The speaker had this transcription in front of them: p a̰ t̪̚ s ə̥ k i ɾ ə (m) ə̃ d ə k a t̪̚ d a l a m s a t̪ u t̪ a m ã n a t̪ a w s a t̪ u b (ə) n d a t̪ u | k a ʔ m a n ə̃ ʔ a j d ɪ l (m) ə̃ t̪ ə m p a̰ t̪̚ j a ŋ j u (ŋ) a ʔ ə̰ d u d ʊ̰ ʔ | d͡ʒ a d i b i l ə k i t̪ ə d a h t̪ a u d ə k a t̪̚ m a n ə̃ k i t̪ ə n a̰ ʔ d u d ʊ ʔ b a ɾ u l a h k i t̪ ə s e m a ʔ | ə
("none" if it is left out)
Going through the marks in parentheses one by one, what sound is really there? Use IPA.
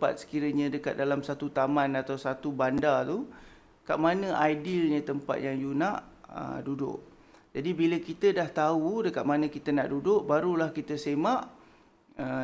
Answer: ɲ, a, ɲ, n

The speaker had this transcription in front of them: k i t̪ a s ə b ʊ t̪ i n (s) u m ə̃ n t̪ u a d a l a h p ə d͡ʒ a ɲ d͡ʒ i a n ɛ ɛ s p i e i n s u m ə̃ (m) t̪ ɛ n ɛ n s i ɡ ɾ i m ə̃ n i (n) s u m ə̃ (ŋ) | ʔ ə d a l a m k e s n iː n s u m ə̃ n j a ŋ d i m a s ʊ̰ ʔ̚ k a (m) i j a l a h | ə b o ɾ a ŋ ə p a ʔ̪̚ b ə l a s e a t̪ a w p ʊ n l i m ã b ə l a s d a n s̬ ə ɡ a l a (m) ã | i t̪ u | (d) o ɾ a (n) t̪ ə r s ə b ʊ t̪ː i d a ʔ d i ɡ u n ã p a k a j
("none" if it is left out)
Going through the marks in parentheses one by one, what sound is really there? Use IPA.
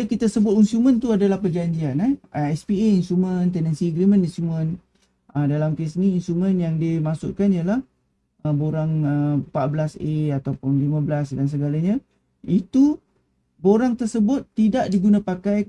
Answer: s, n, n, n, n, ɲ, b, ŋ

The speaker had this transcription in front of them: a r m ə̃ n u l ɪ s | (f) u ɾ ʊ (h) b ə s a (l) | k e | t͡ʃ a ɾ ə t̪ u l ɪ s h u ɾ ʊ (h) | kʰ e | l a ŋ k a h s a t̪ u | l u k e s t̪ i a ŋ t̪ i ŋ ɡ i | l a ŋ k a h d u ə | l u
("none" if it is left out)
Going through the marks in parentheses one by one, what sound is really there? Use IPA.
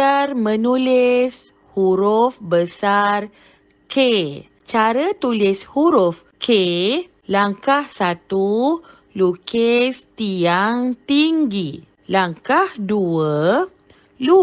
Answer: h, f, r, f

